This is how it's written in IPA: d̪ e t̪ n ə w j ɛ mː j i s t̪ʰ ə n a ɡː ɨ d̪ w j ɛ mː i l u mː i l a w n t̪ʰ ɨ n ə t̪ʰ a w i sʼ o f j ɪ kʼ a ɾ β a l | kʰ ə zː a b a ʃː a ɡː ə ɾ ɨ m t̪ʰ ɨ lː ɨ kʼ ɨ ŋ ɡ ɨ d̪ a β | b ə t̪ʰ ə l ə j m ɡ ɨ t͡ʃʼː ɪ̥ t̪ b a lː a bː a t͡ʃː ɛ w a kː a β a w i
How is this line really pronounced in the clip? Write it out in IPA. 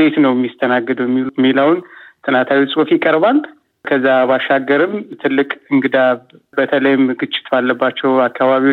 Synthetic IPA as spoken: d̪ e t̪ n ə w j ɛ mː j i s t̪ʰ ə n a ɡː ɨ d̪ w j ɛ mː i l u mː i l a w n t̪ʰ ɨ n a t̪ʰ a w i sʼ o f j ɪ kʼ ə ɾ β a l | kʰ ə zː a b a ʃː a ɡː ə ɾ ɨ m t̪ʰ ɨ lː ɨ kʼ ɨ ŋ ɡ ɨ d̪ a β | b ə t̪ʰ ə l ə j m ɡ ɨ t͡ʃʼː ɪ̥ t̪ b a lː ə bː a t͡ʃː ɛ w a kː a β a β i